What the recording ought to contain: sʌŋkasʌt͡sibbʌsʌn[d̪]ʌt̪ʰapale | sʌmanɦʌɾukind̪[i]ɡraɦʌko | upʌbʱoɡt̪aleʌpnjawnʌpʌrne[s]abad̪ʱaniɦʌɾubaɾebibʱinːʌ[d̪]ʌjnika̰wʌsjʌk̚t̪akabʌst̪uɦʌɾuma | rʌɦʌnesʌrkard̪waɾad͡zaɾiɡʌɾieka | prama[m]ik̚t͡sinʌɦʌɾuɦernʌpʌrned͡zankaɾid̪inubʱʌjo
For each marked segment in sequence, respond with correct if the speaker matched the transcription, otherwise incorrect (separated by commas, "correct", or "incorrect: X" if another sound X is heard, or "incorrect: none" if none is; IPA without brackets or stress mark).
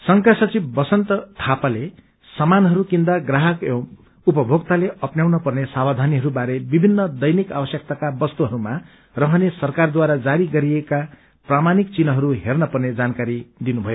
incorrect: t̪, incorrect: a, correct, correct, incorrect: n